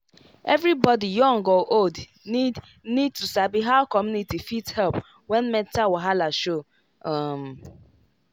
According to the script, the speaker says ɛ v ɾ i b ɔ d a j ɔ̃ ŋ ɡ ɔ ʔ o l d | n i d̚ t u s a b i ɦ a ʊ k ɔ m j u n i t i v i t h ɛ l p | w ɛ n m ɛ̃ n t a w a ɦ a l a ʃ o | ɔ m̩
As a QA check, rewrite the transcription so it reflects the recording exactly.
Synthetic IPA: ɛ v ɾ i b ɔ d i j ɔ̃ ŋ ɡ ɔ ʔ o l d | n i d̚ t u s a b i ɦ a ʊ k ɔ m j u n i t i f i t h ɛ l p | w ɛ n m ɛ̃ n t a w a ɦ a l a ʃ o | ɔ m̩